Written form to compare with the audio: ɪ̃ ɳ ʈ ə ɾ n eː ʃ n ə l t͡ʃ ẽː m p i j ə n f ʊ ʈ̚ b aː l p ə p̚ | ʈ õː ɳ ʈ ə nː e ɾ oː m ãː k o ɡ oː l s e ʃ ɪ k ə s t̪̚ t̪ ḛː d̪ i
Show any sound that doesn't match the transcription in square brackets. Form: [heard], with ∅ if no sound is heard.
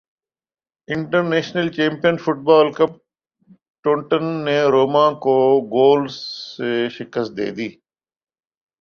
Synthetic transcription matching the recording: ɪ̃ ɳ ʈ ə ɾ n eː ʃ n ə l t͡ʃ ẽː m p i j ə n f ʊ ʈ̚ b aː l [k] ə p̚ | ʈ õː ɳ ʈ ə nː e ɾ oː m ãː k o ɡ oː l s e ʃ ɪ k ə s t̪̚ [d̪] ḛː d̪ [iː]